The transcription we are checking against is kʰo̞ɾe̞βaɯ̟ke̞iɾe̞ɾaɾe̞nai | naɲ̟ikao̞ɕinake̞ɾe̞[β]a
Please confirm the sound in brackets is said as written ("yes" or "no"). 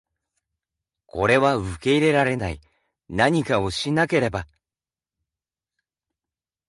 no